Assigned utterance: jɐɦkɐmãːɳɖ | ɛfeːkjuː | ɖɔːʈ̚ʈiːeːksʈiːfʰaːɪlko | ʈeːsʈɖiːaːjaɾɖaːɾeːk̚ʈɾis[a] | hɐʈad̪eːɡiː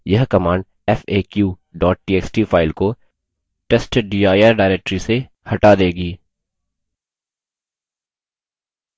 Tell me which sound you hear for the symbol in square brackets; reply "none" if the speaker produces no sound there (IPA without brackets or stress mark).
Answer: e